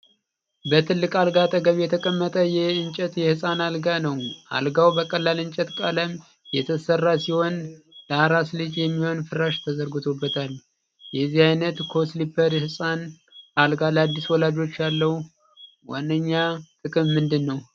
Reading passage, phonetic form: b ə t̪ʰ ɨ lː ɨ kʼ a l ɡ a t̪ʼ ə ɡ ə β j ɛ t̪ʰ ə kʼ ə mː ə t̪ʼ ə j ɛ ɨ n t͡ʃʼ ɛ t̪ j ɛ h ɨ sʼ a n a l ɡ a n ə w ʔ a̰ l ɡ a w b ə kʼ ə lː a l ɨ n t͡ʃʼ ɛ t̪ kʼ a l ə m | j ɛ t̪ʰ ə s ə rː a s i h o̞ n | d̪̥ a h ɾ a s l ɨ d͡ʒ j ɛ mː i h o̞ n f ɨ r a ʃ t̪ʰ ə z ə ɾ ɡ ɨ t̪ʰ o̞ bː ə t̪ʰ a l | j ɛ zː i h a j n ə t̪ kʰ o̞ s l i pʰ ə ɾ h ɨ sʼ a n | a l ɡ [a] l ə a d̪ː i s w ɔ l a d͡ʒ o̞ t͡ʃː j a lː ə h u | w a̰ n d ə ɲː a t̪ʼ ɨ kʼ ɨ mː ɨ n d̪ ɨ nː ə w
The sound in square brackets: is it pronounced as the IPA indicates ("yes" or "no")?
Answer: yes